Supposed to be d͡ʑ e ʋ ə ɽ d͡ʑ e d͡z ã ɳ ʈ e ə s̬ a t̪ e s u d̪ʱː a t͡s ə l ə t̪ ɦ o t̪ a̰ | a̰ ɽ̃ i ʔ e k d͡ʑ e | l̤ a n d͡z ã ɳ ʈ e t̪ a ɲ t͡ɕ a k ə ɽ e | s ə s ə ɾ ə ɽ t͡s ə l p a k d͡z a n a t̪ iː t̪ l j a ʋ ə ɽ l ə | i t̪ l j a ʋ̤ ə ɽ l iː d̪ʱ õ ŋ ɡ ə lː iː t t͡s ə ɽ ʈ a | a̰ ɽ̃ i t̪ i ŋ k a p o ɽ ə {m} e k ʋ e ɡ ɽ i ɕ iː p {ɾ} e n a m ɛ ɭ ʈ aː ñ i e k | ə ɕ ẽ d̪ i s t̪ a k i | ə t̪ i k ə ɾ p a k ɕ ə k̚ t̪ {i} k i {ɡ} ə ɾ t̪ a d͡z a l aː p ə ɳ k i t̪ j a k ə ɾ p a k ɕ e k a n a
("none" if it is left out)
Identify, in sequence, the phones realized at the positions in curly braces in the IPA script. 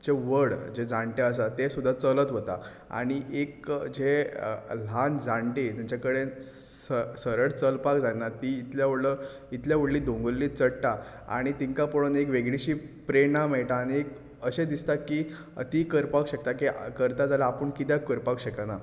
n, ɾ, a, k

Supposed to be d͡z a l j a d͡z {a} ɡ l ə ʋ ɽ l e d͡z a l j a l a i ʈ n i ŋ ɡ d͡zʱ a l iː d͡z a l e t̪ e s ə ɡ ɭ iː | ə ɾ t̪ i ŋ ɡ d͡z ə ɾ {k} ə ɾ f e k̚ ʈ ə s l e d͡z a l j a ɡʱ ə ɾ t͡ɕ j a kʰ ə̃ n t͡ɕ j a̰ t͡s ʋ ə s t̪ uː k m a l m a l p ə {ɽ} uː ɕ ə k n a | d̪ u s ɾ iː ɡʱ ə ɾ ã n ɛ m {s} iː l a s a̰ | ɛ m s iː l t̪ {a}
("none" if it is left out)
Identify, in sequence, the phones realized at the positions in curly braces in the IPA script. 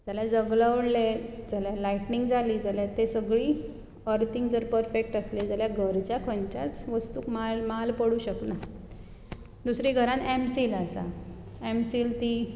ə, p, ɽ, s, i

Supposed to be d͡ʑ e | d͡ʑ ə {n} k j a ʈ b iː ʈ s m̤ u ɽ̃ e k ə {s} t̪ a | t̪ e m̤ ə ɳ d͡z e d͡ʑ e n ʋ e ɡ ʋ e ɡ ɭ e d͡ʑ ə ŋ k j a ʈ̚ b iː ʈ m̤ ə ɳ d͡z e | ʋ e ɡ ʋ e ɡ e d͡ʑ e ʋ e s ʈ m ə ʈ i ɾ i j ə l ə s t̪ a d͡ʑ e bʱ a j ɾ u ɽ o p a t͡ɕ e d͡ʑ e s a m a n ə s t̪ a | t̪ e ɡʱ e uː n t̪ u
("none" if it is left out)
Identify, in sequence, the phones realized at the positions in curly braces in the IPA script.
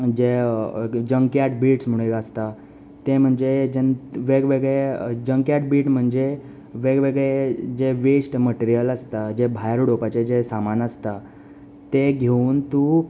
ŋ, s

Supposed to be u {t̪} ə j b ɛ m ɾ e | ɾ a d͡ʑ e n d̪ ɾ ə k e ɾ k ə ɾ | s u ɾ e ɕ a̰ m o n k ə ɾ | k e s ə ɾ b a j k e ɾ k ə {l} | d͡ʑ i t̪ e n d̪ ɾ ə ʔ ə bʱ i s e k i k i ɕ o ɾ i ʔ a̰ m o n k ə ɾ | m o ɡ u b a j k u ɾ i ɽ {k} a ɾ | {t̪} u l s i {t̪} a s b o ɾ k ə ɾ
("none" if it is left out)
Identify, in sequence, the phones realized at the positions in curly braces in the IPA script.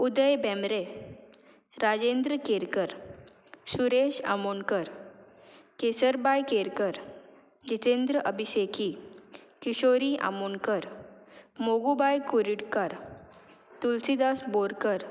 d̪, ɾ, k, t̪, d̪

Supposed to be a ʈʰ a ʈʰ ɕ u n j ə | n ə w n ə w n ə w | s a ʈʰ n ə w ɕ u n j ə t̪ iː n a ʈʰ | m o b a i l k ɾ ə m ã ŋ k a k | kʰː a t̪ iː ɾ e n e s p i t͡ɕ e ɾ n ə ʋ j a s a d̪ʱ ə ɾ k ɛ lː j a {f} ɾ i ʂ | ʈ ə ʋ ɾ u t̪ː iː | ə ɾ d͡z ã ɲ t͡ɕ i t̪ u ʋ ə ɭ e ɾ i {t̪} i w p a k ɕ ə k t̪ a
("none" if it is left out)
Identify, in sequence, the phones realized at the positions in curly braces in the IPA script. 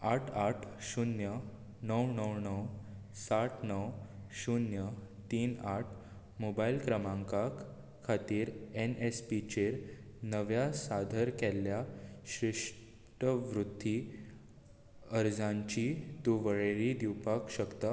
ɕ, d̪

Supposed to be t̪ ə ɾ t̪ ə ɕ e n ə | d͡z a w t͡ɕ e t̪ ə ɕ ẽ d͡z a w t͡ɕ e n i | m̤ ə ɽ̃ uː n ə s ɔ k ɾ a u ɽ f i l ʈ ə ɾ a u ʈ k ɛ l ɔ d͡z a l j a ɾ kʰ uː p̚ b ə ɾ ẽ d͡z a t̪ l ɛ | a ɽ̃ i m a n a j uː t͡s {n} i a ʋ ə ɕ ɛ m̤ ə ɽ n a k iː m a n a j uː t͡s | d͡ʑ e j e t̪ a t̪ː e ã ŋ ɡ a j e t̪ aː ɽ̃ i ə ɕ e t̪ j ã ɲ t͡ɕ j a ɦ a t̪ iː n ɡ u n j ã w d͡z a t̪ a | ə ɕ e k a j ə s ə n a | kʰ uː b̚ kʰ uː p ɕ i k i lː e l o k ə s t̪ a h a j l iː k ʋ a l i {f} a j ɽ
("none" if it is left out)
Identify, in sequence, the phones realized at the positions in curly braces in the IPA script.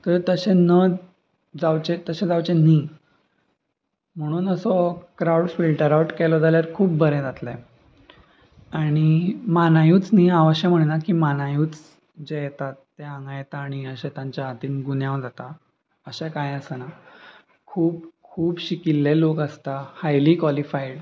n, f

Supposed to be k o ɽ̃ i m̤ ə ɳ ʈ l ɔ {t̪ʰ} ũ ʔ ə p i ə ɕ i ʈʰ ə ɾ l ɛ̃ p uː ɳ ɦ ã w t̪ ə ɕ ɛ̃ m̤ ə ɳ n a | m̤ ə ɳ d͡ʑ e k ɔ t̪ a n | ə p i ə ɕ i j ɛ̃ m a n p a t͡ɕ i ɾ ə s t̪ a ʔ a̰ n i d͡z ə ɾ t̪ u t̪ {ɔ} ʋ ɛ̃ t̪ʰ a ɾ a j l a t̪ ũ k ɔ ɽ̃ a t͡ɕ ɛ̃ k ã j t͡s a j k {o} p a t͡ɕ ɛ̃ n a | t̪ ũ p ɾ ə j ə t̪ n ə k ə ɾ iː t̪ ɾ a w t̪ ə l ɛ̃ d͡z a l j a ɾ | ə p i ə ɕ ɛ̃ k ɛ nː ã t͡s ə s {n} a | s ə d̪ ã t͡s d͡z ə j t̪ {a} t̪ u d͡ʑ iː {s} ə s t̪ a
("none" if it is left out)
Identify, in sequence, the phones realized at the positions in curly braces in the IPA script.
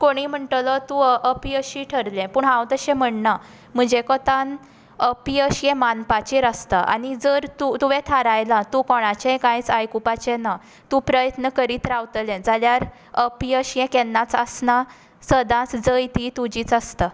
t̪, u, u, n, i, t͡s

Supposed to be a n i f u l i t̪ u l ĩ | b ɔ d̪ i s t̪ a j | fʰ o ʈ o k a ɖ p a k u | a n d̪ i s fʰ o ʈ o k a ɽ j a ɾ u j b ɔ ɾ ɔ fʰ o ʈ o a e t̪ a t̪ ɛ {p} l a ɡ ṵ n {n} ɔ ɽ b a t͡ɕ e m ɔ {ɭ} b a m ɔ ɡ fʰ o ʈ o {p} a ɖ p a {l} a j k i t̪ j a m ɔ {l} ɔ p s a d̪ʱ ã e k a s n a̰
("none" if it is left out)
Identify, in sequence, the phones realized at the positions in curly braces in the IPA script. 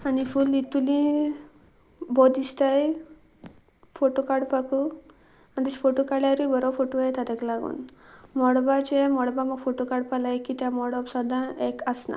k, m, ɽ, k, l, ɽ

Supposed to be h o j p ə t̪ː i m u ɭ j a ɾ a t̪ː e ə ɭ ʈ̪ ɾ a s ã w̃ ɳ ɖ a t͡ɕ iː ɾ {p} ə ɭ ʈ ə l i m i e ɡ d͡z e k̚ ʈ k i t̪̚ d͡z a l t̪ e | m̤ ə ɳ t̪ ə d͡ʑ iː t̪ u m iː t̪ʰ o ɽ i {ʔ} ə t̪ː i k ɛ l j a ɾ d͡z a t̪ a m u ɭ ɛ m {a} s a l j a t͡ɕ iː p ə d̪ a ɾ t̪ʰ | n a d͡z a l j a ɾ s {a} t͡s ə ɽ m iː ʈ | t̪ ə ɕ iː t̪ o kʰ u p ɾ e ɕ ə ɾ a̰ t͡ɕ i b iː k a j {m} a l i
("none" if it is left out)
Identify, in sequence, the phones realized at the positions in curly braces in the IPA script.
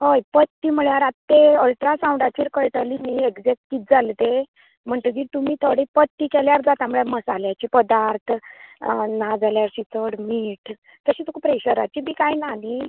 k, p, ə, i, n

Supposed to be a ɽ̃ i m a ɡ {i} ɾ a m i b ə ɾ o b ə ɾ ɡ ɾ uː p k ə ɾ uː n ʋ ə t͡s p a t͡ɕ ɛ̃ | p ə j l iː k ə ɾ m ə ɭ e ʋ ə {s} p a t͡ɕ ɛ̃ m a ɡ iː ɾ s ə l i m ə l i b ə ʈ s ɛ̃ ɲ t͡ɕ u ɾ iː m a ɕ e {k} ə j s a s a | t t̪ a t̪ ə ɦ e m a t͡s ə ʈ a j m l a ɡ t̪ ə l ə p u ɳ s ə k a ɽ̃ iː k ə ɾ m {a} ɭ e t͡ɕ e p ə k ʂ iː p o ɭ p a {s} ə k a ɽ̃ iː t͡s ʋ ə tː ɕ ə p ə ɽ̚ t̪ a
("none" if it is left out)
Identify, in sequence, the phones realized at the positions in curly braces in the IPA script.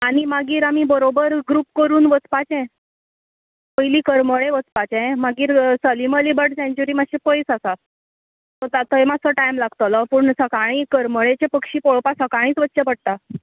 iː, t͡s, p, ə, s

